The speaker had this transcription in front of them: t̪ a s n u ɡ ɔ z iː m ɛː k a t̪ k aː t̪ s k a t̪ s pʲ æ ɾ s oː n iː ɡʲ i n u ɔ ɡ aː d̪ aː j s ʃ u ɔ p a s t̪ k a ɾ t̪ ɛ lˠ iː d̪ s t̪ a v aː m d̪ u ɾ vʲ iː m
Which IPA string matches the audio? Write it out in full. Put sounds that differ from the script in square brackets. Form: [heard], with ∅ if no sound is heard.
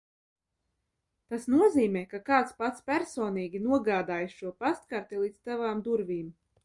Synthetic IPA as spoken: t̪ a s n u [∅] ɔ z iː m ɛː k a [∅] k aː t̪ s [p] a t̪ s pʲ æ ɾ s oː n iː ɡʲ i n u ɔ ɡ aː d̪ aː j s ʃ u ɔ p a s t̪ k a ɾ t̪ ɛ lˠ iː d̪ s t̪ a v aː m d̪ u ɾ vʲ iː m

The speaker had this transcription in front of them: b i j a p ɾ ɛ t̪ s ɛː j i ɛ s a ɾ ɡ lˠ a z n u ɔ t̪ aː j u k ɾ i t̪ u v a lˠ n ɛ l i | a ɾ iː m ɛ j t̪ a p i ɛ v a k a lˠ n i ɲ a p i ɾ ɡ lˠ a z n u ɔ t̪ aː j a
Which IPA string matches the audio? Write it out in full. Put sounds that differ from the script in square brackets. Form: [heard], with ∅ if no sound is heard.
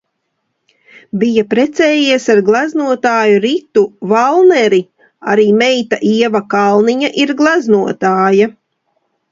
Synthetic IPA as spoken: b i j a p ɾ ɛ t̪ s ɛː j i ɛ s a ɾ ɡ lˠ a z n u ɔ t̪ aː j u [∅] ɾ i t̪ u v a lˠ n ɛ [ɾ] i | a ɾ iː m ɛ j t̪ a [ʔ] i ɛ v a k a lˠ n i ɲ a [ʔ] i ɾ ɡ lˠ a z n u ɔ t̪ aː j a

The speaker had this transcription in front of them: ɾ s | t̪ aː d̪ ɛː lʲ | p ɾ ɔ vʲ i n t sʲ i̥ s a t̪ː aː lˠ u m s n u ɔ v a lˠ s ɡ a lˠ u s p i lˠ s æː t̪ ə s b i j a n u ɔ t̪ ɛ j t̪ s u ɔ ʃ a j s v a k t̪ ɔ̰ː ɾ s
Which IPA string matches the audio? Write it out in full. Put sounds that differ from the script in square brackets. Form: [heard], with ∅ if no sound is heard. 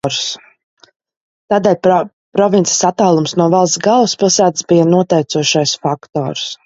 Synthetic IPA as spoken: ɾ s | t̪ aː d̪ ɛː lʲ | p ɾ ɔ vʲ i n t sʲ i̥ s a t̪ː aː lˠ u m s n u ɔ v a lˠ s ɡ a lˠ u s p i lˠ s æː t̪ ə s b i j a n u ɔ t̪ ɛ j t̪ s u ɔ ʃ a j s [f] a k t̪ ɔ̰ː ɾ s

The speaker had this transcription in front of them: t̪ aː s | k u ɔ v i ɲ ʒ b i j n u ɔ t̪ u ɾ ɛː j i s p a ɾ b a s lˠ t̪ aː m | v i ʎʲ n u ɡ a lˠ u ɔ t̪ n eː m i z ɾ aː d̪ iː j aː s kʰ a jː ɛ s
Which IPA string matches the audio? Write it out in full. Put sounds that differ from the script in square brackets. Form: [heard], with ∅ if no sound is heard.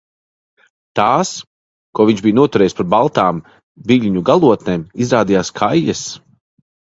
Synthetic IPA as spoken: t̪ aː s | k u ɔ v i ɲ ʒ b i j n u ɔ t̪ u ɾ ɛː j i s p a ɾ b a [∅] lˠ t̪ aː m | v i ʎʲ [ɲ] u ɡ a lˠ u ɔ t̪ n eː m i z ɾ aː d̪ [i] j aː s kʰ a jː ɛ s

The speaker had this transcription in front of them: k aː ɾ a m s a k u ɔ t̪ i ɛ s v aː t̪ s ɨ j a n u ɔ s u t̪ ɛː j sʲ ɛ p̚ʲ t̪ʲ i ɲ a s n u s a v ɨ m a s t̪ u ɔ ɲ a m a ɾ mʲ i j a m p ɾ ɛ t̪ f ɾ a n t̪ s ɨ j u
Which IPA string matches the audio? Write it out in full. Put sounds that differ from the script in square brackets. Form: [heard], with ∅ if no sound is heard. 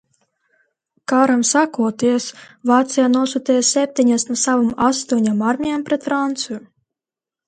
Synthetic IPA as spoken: k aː ɾ a m s a k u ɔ t̪ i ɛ s v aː t̪ s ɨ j a n u ɔ s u t̪ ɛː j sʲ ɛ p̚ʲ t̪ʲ i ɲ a s n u s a v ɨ m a s t̪ u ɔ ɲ a m a ɾ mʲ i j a m p ɾ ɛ t̪ f ɾ a n t̪ s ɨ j u

